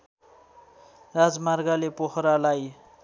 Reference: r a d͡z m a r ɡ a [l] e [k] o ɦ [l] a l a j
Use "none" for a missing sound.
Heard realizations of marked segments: l, p, ɾ

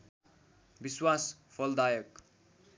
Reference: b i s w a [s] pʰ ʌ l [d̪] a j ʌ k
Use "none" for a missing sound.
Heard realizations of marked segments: s, d̪

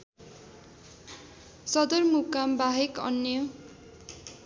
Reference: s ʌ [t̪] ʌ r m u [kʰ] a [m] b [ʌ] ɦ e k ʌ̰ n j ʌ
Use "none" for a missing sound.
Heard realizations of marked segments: d̪, k, m, a

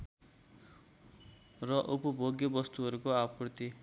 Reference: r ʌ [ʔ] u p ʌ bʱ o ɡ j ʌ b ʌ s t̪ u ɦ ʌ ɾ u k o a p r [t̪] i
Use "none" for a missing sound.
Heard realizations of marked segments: ʔ, t̪

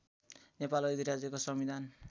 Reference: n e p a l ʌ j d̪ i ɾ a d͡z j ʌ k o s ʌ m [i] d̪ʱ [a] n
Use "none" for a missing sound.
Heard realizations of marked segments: i, a

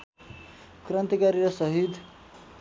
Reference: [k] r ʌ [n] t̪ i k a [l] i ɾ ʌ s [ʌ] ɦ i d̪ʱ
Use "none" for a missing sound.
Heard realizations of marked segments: k, n, ɾ, ʌ

